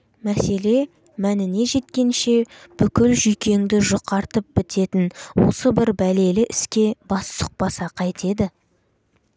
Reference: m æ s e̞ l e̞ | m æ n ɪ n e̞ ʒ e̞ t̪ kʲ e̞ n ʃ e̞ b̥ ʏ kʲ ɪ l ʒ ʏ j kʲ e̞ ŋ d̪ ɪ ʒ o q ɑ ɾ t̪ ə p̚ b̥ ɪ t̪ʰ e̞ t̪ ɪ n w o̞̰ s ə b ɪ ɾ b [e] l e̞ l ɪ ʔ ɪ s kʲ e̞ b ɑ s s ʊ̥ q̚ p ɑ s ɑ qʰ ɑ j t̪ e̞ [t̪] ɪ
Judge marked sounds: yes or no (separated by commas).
no, no